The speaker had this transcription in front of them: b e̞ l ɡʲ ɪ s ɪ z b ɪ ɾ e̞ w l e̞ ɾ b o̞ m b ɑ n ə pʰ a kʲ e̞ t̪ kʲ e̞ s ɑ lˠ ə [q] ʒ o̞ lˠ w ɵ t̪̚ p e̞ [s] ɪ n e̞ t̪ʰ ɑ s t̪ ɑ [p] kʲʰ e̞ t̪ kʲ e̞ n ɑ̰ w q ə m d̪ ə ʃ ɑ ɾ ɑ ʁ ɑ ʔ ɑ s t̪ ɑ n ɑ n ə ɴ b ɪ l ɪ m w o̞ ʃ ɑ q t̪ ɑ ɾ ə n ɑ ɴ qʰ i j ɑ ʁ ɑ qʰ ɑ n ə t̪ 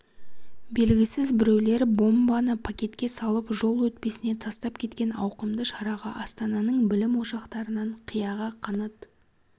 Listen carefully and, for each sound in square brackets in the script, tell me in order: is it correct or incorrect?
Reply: incorrect: p, correct, correct

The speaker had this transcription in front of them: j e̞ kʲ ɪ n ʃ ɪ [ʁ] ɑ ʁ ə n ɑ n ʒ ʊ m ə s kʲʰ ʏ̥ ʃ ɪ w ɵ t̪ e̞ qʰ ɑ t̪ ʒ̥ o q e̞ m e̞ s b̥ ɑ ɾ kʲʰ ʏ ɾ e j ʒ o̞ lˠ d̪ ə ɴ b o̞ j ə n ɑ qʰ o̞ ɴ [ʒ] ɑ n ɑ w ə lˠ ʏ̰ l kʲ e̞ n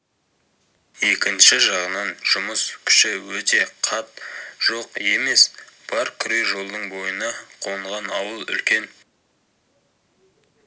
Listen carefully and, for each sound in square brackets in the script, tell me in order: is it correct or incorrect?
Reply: incorrect: ʒ, incorrect: ʁ

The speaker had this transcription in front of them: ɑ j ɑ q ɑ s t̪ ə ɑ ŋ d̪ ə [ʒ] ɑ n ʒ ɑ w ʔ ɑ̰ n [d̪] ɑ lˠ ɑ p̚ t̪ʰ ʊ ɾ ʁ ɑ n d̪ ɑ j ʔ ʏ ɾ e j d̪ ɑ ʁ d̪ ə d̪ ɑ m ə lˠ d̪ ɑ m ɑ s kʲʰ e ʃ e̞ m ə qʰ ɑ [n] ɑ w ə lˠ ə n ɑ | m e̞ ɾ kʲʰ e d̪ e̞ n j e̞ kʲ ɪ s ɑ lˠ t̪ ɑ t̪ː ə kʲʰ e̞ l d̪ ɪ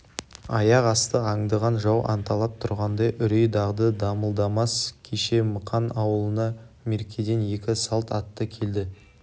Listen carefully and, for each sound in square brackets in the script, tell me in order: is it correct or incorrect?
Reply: incorrect: ʁ, incorrect: t̪, correct

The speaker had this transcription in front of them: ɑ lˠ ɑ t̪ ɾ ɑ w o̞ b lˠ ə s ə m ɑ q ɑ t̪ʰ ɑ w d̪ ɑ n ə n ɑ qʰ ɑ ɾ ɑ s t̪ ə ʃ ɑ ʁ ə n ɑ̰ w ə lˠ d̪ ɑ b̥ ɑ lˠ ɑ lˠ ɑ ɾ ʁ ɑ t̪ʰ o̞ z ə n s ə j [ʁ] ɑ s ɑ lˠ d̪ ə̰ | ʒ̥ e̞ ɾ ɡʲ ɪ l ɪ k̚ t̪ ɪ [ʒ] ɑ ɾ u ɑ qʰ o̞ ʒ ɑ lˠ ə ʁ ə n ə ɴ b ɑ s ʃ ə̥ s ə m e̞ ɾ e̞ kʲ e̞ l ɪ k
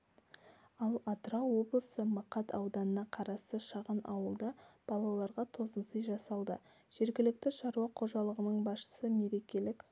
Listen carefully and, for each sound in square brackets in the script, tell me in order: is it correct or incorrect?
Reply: incorrect: ʒ, incorrect: ʃ

